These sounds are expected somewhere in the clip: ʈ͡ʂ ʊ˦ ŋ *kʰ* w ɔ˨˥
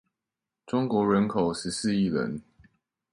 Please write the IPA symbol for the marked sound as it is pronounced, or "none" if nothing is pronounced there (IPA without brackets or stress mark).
k